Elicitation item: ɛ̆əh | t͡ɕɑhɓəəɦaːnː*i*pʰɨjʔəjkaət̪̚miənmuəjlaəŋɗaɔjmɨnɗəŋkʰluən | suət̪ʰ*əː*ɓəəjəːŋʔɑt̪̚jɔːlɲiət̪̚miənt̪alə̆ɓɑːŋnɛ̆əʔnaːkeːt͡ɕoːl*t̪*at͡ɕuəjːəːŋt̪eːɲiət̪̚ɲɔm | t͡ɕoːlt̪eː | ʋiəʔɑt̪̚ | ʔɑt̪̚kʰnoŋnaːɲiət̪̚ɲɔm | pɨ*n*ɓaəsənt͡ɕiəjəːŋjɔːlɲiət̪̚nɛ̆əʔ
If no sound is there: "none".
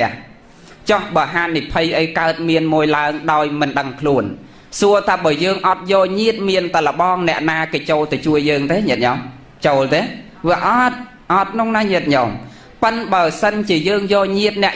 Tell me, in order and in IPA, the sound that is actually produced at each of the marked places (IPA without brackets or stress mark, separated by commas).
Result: i, aː, t̪, n